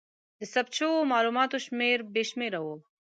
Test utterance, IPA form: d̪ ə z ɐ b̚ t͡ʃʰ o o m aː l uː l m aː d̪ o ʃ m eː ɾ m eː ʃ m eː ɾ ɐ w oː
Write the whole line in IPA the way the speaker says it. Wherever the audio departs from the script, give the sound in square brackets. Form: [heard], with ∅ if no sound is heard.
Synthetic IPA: d̪ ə [s] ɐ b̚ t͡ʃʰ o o m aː l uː [∅] m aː [t̪] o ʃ m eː ɾ [b] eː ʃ m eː ɾ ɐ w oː